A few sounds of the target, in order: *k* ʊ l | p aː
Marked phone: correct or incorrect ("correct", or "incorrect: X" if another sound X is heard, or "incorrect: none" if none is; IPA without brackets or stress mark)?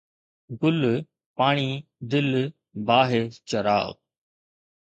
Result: incorrect: ɡ